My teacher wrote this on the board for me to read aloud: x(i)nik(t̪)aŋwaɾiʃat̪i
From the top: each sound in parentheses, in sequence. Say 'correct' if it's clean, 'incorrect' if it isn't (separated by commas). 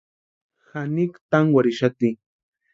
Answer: incorrect, correct